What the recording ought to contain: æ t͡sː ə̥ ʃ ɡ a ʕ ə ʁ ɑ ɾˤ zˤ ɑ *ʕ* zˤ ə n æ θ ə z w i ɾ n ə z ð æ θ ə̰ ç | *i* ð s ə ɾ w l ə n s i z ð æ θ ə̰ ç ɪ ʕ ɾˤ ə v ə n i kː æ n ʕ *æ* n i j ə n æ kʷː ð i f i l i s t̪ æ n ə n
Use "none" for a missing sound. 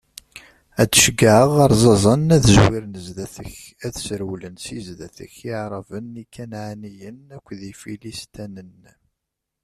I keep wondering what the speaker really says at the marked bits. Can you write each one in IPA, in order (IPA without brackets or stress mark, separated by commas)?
none, æ, a